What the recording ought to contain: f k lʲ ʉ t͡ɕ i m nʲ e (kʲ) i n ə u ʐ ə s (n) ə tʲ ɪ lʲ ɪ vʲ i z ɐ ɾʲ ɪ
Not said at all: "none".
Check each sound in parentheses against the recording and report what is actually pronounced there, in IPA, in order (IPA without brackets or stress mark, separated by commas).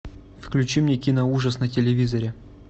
kʲ, n